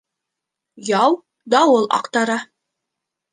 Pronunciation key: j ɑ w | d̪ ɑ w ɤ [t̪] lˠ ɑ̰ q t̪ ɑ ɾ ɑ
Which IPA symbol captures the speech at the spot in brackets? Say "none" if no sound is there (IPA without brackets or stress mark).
none